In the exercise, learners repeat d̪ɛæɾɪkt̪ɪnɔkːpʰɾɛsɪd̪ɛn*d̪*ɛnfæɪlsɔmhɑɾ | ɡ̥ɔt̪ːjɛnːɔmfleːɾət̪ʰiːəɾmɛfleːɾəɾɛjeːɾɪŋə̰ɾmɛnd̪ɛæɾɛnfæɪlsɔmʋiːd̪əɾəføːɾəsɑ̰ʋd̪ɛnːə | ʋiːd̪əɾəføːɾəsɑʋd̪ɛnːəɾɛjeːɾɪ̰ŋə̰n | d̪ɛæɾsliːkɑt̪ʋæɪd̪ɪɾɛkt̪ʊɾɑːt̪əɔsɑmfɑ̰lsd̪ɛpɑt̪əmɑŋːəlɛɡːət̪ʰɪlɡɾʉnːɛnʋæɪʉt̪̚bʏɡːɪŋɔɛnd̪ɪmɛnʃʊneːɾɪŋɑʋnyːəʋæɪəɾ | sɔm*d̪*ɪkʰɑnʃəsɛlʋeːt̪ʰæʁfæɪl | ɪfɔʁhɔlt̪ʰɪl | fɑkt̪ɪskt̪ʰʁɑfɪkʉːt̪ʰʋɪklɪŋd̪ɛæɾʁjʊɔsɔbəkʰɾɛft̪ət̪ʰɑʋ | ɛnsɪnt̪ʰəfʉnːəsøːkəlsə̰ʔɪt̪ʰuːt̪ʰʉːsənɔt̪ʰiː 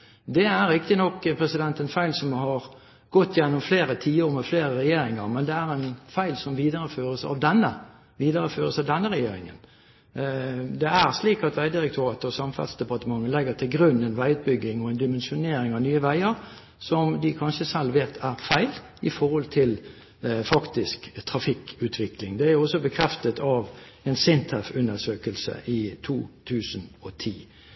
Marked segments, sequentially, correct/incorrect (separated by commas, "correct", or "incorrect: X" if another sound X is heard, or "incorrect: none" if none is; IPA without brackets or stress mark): incorrect: t̪, correct